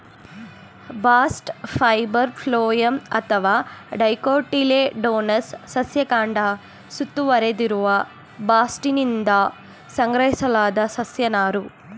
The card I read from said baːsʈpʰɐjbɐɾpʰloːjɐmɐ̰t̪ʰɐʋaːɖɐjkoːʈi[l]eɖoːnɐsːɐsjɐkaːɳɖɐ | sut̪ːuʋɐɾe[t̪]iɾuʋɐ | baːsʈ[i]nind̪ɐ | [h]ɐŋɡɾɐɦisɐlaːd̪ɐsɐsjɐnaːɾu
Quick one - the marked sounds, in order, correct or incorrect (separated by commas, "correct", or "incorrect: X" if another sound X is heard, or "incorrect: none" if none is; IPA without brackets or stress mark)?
correct, incorrect: d̪, correct, incorrect: s